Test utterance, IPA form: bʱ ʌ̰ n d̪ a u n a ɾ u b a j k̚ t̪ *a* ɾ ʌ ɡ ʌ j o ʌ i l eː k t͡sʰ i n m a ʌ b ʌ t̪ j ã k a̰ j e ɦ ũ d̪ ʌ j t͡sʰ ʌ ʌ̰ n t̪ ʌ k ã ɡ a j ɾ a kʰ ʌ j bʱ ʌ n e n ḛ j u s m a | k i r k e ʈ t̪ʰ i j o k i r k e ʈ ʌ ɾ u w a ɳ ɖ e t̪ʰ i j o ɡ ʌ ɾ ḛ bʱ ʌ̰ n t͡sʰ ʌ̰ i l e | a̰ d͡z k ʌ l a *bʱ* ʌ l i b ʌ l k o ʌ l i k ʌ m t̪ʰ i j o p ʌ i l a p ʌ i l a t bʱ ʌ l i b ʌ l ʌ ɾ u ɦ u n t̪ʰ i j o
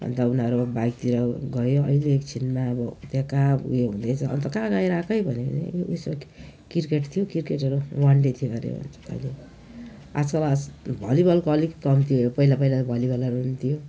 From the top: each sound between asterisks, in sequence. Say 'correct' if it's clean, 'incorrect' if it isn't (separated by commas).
incorrect, correct